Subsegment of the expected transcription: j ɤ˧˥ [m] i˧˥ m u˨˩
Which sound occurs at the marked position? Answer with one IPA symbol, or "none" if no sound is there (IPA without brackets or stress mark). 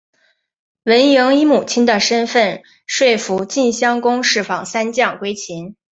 ŋ